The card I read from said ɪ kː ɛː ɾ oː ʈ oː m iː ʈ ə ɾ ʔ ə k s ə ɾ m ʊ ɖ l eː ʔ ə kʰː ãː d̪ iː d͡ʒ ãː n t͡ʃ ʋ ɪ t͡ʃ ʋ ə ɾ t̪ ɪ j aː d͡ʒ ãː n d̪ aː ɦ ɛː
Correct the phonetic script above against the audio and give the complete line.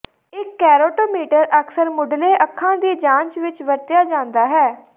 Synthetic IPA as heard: ɪ kː ɛː ɾ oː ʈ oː m iː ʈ ə ɾ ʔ ə k s ə ɾ m ʊ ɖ l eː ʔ ə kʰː ãː d̪ iː d͡ʒ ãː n t͡ʃ ʋ ɪ t͡ʃ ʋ ə ɾ t̪ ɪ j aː d͡ʒ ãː n d̪ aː ɦ ɛː